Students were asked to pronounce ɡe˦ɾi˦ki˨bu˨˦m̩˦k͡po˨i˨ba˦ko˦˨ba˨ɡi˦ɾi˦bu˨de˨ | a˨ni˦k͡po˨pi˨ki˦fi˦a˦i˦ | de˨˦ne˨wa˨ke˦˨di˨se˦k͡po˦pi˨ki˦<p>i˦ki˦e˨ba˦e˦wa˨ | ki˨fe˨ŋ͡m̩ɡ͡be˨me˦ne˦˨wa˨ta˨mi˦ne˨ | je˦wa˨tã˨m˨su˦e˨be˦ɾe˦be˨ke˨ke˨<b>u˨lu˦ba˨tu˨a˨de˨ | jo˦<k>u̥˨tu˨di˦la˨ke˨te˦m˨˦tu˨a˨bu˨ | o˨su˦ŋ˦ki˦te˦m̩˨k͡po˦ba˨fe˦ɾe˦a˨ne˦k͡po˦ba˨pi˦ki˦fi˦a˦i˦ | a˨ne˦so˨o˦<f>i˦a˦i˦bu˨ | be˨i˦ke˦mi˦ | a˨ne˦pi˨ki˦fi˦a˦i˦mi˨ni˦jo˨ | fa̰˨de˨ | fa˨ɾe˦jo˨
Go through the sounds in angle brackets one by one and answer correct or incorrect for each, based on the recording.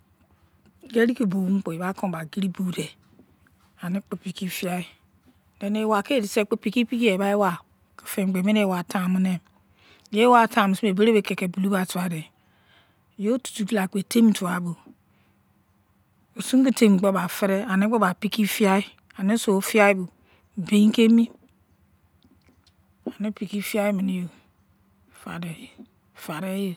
correct, correct, incorrect: t, correct

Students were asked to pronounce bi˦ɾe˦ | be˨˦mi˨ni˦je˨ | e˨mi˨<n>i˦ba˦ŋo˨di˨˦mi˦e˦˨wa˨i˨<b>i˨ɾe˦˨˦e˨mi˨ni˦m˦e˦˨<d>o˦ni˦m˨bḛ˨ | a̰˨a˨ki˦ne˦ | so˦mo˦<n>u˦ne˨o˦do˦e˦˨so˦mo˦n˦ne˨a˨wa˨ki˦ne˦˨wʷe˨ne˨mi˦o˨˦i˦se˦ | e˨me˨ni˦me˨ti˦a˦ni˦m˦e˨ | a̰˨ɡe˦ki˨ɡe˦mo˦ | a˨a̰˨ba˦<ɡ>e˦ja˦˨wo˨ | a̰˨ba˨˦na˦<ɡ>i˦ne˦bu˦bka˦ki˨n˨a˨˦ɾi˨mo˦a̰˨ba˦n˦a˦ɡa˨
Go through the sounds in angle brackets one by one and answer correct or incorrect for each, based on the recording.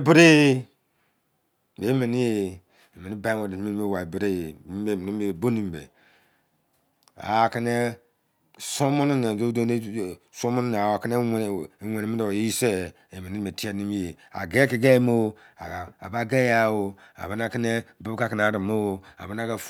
correct, correct, incorrect: b, correct, correct, incorrect: k

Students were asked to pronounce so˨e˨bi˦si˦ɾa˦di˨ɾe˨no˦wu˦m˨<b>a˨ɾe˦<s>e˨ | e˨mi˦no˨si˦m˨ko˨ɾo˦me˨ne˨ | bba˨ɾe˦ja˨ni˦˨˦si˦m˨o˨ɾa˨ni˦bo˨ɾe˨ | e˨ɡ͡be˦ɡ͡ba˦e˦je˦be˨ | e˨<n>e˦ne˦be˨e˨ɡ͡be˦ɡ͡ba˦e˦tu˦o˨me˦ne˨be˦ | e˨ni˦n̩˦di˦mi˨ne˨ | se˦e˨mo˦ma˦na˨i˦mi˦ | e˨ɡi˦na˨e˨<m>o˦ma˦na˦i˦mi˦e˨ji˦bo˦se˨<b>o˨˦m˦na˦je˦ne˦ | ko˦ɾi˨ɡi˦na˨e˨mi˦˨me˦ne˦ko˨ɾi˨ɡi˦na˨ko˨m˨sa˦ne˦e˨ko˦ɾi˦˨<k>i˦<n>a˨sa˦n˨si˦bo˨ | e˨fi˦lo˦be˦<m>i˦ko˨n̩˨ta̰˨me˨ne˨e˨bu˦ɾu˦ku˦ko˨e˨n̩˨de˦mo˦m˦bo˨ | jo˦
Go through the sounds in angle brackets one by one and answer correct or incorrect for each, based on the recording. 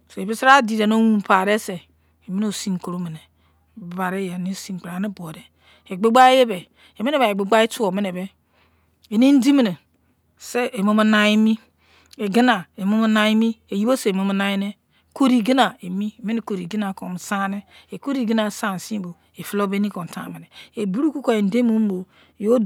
incorrect: p, correct, incorrect: m, correct, incorrect: m, incorrect: ɡ, correct, incorrect: n

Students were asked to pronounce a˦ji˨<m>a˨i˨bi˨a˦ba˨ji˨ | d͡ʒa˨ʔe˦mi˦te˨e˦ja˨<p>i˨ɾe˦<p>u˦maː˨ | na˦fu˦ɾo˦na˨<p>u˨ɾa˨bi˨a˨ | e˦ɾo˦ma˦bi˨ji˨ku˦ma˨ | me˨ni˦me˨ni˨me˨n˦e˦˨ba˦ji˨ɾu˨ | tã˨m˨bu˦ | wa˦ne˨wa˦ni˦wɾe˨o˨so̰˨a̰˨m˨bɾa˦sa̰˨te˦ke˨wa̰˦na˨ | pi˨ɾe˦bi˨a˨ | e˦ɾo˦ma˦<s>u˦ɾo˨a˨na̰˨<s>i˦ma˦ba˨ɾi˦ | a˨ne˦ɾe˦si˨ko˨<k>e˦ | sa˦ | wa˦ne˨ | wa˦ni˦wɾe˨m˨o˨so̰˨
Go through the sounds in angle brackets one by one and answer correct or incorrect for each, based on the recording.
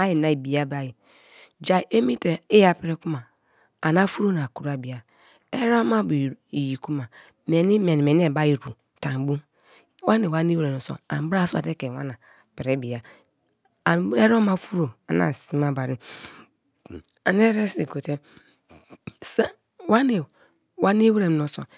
incorrect: n, correct, incorrect: k, incorrect: k, incorrect: f, correct, incorrect: t

